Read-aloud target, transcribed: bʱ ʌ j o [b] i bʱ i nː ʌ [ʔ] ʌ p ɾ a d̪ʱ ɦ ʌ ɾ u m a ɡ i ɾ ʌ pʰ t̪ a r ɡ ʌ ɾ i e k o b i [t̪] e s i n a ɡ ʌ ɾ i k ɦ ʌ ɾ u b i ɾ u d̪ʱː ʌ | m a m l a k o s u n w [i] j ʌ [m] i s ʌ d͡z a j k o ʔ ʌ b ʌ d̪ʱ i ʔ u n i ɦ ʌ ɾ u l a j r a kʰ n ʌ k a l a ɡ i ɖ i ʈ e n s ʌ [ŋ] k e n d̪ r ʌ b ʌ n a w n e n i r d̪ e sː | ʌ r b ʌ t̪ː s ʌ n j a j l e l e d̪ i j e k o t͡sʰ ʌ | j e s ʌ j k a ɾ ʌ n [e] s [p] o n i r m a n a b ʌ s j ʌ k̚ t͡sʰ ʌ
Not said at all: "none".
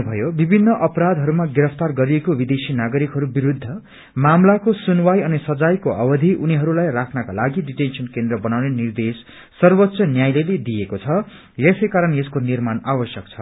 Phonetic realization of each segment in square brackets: b, ʔ, d̪, a, n, n, e, k

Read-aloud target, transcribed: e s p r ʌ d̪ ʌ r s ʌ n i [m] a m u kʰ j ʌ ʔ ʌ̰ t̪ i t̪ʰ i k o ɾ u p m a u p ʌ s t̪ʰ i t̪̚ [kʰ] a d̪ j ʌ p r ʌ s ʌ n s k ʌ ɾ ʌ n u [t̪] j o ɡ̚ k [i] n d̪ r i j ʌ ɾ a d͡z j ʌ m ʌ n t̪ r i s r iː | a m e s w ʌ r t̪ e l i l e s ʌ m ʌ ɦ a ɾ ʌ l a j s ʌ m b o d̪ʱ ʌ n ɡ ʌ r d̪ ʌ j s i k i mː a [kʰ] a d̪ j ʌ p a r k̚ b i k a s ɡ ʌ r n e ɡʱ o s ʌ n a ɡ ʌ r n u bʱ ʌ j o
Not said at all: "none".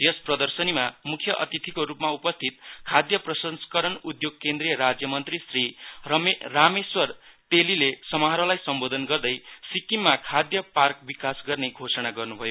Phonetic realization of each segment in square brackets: m, kʰ, d̪, e, kʰ

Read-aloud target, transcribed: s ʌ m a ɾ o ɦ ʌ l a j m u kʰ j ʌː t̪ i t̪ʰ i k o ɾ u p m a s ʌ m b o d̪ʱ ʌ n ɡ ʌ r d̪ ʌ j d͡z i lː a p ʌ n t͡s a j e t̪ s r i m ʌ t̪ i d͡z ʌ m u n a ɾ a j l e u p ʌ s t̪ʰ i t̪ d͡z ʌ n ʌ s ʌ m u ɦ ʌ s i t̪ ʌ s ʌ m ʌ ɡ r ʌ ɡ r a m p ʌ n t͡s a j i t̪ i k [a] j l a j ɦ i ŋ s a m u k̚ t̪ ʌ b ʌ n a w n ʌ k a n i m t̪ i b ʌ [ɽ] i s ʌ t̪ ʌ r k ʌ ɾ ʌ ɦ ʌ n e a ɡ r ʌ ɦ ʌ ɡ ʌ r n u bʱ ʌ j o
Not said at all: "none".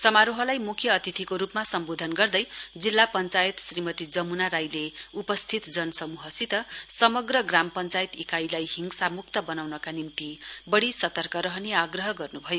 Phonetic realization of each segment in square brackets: a, ɽ

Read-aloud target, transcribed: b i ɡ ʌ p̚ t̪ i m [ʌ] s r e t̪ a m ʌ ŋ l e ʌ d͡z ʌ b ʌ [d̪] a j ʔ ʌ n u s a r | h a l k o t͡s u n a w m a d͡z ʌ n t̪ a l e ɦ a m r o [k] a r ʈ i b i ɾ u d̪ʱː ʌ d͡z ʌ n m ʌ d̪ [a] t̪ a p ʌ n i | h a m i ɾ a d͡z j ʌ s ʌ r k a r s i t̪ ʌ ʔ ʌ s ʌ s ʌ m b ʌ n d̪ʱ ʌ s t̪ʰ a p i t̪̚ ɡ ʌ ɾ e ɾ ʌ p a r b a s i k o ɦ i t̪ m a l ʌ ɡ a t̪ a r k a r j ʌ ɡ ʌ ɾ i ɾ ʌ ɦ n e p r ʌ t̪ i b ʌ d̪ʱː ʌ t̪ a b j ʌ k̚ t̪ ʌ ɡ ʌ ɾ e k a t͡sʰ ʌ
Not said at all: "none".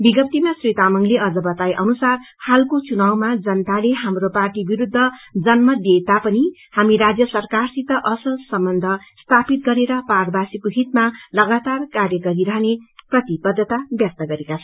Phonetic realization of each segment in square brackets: a, t̪, p, e

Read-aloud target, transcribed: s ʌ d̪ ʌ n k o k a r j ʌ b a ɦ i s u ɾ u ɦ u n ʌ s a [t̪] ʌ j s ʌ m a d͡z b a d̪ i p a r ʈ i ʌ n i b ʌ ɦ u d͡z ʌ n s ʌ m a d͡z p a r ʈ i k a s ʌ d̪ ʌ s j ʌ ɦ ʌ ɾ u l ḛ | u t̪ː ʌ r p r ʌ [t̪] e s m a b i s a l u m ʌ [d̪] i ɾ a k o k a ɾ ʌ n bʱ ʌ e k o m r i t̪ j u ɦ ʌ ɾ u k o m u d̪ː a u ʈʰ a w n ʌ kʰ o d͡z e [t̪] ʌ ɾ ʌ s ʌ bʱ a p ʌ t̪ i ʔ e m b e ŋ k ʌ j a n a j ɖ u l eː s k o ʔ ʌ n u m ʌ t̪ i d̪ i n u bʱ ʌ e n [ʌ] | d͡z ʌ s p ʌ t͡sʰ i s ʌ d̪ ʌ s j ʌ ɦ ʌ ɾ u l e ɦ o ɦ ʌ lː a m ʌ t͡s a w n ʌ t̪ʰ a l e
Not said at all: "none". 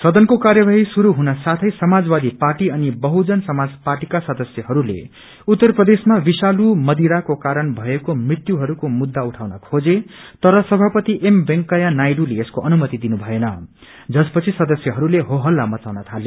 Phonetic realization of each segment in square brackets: t̪ʰ, d̪, d̪, t̪, ʌ

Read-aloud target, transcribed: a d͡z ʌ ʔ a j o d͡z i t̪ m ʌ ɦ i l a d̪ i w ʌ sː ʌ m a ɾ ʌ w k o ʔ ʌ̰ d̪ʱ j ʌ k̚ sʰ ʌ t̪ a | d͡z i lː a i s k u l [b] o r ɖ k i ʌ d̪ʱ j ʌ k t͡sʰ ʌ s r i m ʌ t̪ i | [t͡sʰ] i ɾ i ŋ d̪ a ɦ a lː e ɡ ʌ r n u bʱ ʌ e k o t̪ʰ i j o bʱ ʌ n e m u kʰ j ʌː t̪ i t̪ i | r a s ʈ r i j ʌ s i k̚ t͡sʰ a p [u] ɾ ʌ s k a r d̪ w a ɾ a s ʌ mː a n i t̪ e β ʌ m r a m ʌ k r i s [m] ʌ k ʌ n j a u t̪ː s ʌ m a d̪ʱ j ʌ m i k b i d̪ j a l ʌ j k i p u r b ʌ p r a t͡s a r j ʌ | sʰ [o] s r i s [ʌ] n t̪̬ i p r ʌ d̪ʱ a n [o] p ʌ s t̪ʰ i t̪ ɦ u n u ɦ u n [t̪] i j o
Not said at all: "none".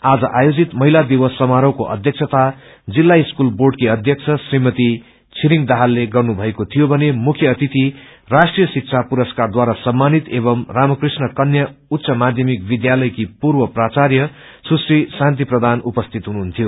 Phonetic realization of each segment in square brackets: b, t͡sʰ, u, n, u, a, u, t̪ʰ

